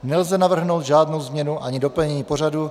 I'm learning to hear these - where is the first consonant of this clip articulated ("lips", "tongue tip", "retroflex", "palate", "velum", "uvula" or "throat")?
tongue tip